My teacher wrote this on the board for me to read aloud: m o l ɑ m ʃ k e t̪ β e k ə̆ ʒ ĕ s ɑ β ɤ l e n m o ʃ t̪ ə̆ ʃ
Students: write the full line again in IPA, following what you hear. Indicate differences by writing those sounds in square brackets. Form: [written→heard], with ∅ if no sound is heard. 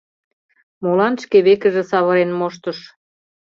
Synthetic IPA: m o l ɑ [m→n] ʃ k e [t̪→∅] β e k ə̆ ʒ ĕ s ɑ β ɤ [l→ɾ] e n m o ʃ t̪ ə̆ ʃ